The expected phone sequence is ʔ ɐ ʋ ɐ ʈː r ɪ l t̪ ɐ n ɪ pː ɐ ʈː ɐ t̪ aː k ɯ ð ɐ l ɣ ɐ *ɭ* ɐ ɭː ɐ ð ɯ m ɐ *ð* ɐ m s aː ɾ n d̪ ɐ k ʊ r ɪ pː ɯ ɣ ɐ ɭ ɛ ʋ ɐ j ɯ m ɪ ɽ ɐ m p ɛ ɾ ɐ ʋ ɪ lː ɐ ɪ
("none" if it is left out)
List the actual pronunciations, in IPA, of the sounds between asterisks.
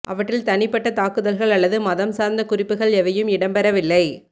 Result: ɭ, ð

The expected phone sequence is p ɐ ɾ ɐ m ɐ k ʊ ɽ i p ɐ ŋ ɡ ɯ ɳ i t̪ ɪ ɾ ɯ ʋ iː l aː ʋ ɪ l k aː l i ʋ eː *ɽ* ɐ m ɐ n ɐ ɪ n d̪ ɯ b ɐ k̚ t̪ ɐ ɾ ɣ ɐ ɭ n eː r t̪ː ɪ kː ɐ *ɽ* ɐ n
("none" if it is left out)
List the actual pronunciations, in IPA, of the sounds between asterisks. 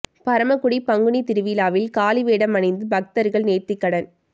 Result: ɽ, ɽ

